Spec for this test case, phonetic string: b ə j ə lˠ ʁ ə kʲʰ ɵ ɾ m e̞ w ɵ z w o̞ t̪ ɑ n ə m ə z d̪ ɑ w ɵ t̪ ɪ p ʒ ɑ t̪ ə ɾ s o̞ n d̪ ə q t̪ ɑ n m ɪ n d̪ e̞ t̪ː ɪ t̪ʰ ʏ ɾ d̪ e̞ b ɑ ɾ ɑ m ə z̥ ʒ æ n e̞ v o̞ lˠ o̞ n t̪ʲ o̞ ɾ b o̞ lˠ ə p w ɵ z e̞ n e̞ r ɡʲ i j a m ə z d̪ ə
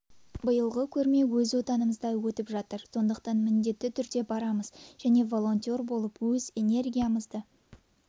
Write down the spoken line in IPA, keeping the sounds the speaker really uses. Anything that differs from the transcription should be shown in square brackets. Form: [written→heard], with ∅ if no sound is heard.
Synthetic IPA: b ə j ə lˠ ʁ ə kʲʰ ɵ ɾ m e̞ w ɵ z w o̞ t̪ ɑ n ə m ə z d̪ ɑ w ɵ t̪ ɪ p ʒ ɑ t̪ ə ɾ s o̞ n d̪ ə q t̪ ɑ n m ɪ n d̪ e̞ t̪ː ɪ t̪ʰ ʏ ɾ d̪ e̞ b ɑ ɾ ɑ m ə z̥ ʒ æ n e̞ v o̞ lˠ o̞ n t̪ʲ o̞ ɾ b o̞ lˠ ə p w ɵ z e̞ n e̞ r ɡʲ i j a m ə z d̪ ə